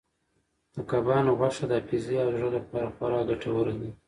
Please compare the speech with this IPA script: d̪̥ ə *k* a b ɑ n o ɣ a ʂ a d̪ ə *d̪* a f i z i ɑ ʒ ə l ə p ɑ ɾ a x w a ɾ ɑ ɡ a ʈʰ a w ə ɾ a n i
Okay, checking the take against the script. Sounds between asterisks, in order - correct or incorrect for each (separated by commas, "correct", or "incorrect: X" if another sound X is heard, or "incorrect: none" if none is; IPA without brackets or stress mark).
correct, incorrect: none